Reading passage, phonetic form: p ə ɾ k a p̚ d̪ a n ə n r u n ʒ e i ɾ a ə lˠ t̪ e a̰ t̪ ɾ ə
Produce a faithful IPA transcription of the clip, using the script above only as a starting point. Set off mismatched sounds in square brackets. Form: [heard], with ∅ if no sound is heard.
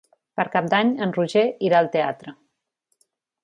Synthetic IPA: p ə ɾ k a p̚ d̪ a [ɲ] ə n r u [∅] ʒ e i ɾ a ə lˠ t̪ e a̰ t̪ ɾ ə

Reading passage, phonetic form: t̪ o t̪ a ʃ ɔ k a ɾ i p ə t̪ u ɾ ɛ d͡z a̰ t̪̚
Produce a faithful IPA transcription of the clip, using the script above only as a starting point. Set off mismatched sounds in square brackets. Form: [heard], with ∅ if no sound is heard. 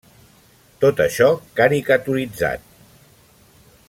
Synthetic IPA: t̪ o t̪ [ə] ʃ ɔ k a ɾ i [k] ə t̪ u ɾ [i] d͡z a̰ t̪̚

